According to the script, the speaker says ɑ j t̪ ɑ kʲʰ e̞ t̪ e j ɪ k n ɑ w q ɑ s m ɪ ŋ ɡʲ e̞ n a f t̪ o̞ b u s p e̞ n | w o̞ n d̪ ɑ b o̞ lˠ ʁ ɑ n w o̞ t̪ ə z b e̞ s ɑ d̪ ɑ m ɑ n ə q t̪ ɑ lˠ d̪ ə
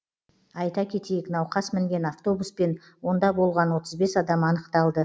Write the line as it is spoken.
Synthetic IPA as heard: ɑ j t̪ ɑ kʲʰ e̞ t̪ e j ɪ k n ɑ w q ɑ s m ɪ ŋ ɡʲ e̞ n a f t̪ o̞ b u s p e̞ n | w o̞ n d̪ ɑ b o̞ lˠ ʁ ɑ n w o̞ t̪ ə z b e̞ s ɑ d̪ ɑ m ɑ n ə q t̪ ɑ lˠ d̪ ə